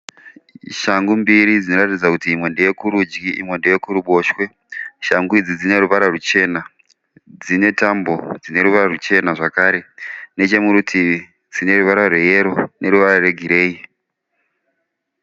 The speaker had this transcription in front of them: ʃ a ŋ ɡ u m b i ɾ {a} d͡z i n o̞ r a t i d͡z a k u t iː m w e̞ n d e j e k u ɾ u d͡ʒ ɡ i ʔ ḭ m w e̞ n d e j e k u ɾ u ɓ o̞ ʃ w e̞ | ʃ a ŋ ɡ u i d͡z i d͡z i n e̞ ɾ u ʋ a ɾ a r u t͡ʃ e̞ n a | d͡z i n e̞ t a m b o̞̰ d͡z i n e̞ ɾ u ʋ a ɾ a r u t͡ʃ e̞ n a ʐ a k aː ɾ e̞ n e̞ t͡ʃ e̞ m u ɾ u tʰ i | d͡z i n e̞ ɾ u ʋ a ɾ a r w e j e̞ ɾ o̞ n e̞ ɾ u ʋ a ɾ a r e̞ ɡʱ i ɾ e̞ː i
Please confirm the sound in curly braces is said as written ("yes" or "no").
no